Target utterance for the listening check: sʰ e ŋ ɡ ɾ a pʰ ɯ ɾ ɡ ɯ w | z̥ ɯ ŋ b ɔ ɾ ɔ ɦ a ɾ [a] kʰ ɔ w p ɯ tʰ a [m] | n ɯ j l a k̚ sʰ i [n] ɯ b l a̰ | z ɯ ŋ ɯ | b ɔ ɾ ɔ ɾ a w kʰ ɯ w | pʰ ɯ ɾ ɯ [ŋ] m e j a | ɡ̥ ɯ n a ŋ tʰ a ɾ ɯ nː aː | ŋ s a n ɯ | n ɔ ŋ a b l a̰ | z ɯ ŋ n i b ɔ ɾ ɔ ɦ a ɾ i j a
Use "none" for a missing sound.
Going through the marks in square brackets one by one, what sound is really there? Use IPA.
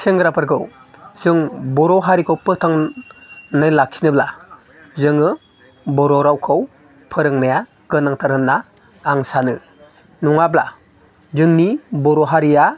i, ŋ, n, ŋ

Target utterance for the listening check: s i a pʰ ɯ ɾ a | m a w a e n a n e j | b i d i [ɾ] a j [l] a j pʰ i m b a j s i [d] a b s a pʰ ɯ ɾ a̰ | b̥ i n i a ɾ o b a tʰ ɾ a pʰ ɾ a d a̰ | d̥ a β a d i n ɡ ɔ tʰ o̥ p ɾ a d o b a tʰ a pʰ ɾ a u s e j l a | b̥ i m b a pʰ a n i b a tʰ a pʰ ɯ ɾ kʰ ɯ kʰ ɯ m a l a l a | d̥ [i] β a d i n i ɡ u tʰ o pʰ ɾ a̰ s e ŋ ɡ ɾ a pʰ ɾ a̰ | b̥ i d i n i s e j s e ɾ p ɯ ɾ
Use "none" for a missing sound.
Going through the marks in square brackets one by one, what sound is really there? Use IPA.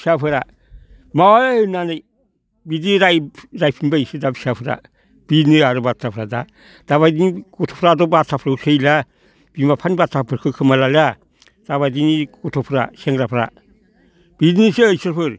ɾ, ɾ, d, a

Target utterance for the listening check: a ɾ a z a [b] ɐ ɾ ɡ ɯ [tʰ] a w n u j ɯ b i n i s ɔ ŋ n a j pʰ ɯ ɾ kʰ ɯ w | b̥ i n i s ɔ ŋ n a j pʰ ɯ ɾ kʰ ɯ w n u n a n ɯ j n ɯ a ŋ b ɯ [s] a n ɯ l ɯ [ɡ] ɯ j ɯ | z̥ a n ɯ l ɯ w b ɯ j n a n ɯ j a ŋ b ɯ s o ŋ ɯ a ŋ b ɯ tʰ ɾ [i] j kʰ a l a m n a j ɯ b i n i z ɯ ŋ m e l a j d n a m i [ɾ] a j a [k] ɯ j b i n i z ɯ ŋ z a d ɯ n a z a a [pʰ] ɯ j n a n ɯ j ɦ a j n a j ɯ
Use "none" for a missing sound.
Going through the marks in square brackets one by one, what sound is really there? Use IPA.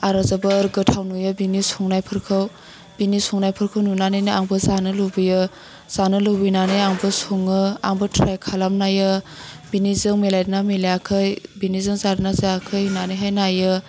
b, tʰ, z, b, a, l, kʰ, kʰ

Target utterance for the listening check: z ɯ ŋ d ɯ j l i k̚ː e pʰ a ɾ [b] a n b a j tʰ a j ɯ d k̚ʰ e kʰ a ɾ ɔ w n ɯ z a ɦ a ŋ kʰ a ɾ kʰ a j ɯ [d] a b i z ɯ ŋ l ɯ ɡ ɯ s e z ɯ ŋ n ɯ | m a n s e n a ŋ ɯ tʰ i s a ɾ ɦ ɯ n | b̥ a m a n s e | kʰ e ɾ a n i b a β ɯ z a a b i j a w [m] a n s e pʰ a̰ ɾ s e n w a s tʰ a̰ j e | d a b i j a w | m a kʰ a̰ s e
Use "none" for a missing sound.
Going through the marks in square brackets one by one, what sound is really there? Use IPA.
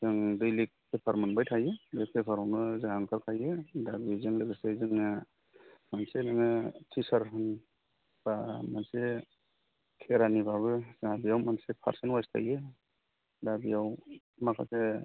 m, d, m

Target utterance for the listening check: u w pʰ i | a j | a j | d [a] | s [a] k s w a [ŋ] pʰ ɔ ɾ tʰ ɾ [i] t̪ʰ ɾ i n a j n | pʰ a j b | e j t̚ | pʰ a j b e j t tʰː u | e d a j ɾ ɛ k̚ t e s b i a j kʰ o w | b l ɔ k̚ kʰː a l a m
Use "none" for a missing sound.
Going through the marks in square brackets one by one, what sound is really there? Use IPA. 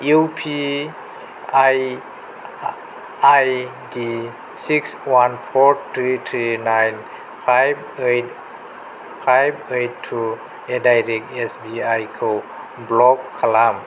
i, i, n, i

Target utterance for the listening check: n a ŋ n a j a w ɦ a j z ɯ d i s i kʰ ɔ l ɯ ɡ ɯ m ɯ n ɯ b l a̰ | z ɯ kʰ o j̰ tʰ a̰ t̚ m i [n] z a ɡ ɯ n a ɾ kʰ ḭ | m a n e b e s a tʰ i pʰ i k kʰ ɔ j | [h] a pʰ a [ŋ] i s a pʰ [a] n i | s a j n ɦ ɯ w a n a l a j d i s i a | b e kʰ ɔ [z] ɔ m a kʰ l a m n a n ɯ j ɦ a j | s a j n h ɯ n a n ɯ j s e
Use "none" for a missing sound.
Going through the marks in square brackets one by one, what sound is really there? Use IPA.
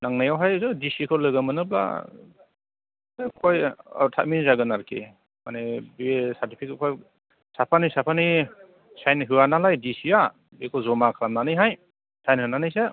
n, s, n, a, z

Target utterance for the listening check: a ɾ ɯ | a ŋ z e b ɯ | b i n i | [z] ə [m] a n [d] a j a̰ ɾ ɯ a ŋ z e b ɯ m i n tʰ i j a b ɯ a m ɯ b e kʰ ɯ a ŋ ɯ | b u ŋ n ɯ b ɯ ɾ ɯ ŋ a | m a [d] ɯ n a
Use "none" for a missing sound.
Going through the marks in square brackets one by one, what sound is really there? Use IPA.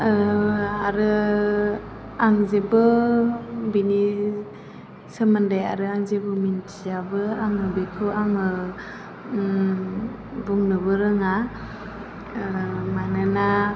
s, m, d, n

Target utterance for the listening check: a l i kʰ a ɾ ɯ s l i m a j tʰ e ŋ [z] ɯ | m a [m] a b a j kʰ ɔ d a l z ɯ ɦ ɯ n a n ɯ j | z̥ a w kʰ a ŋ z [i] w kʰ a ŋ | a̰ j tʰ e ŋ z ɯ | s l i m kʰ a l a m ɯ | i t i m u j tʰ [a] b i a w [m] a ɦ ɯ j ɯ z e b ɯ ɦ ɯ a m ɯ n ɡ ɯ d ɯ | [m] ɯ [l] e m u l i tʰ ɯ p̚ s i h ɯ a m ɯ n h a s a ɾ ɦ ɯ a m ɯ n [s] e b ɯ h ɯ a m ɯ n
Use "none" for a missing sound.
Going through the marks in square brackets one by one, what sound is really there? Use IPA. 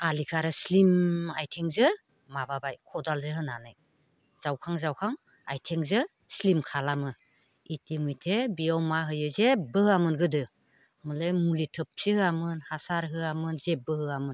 z, b, a, e, m, m, l, z

